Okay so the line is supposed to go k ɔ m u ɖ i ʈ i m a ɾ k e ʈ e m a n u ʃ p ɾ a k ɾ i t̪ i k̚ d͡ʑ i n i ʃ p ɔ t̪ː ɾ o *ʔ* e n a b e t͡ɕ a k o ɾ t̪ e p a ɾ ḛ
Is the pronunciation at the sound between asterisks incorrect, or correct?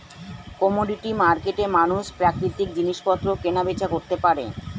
incorrect